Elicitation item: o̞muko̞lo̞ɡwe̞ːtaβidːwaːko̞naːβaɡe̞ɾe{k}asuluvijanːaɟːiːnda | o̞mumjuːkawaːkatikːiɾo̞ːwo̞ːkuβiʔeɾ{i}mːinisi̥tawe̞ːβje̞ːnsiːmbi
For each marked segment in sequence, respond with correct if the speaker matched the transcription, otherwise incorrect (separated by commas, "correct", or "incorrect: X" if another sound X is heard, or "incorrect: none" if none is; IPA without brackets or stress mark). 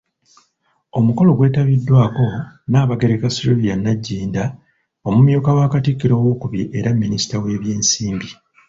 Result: correct, incorrect: a